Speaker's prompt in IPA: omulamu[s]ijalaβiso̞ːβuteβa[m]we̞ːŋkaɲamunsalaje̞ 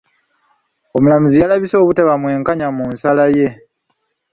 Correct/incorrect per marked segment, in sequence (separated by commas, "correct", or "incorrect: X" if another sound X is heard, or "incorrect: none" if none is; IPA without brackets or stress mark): incorrect: z, correct